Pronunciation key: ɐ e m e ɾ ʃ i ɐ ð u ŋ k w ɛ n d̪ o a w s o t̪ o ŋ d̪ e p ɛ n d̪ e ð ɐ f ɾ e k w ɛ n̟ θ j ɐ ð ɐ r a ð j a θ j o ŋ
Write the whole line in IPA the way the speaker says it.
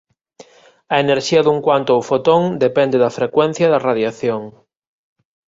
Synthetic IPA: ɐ e n e ɾ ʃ i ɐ ð u ŋ k w a n t̪ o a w f o t̪ o ŋ d̪ e p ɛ n d̪ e ð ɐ f ɾ e k w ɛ n̟ θ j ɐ ð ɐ r a ð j a θ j o ŋ